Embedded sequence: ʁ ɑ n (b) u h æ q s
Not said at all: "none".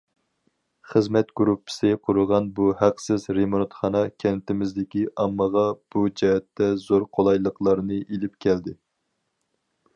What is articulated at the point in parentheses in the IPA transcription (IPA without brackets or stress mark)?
b